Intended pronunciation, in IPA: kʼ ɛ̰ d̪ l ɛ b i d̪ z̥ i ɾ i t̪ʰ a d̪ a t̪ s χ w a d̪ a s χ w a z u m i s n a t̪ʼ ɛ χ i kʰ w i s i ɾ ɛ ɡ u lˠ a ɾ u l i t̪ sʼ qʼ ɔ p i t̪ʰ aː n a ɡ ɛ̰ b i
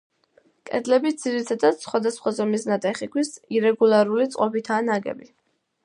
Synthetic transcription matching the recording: kʼ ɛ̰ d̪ l ɛ b i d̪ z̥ i ɾ i t̪ʰ a d̪ a t̪ s χ w a d̪ a s χ w a z ɔ m i s n a t̪ʼ ɛ χ i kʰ w i s i ɾ ɛ ɡ u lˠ a ɾ u l i t̪ sʼ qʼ ɔ p i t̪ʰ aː n a ɡ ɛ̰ b i